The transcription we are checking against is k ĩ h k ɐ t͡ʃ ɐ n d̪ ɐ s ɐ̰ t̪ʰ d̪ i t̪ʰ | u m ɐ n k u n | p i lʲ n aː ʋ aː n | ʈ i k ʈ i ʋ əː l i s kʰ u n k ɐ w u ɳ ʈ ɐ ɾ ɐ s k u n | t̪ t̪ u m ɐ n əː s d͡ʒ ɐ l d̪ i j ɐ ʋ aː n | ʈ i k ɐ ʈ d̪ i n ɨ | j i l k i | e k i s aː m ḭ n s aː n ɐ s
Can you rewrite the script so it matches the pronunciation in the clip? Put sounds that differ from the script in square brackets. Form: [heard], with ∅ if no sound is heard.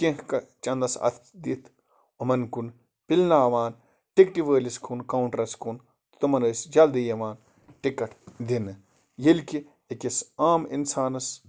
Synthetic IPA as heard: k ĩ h k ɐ t͡ʃ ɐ n d̪ ɐ s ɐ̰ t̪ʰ d̪ i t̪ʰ | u m ɐ n k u n | p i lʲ n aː ʋ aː n | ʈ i k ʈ i ʋ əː l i s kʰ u n k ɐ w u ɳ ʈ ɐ ɾ ɐ s k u n | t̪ t̪ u m ɐ n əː s d͡ʒ ɐ l d̪ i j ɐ ʋ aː n | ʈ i k ɐ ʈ d̪ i n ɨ | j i l k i | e k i s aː m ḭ n s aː n ɐ s